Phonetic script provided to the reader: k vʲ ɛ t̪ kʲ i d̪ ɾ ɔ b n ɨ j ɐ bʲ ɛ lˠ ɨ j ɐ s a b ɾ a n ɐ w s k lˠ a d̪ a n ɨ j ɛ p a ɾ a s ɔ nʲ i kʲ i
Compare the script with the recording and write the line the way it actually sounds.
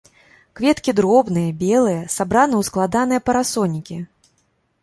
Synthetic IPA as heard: k vʲ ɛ t̪ kʲ i d̪ ɾ ɔ b n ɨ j ɐ bʲ ɛ lˠ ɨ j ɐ s a b ɾ a n ɐ w s k lˠ a d̪ a n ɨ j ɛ p ɐ ɾ a s ɔ nʲ i kʲ i

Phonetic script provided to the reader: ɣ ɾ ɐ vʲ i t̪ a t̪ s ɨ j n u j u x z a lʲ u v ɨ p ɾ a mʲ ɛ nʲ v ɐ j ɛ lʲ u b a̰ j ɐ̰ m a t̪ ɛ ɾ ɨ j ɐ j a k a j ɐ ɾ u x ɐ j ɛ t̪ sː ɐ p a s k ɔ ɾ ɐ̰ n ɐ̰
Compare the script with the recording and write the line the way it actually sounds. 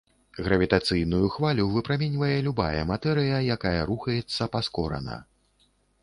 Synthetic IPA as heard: ɣ ɾ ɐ vʲ i t̪ a t̪ s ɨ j n u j u x v a lʲ u v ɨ p ɾ a mʲ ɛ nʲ v ɐ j ɛ lʲ u b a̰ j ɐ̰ m a t̪ ɛ ɾ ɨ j ɐ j a k a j ɐ ɾ u x ɐ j ɛ t̪ sː ɐ p a s k ɔ ɾ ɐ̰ n ɐ̰

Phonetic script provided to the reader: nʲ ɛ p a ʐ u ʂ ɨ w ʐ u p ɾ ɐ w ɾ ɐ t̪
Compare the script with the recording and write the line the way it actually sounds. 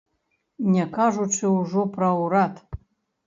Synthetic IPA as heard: nʲ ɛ k a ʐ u t͡ʂ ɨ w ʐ ɔ p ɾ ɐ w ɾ a t̪

